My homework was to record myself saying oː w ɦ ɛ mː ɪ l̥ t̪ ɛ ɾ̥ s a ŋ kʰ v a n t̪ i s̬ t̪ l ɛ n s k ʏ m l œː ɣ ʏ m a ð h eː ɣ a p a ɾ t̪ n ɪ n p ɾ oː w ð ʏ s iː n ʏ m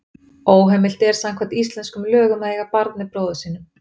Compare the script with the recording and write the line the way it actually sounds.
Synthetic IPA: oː w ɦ ɛ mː ɪ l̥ t̪ ɛ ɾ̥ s a ŋ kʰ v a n t̪ i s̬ t̪ l ɛ n s k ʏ m l œː ɣ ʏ m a ð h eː ɣ a p a ɾ t̪ n ɪ p ɾ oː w ð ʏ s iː n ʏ m